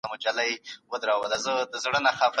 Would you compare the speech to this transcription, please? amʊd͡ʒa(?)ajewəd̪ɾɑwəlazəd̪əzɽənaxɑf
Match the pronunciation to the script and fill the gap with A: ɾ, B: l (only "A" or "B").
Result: B